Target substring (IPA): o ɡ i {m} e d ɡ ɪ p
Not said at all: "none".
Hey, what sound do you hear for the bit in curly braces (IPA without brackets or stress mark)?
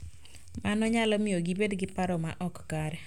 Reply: b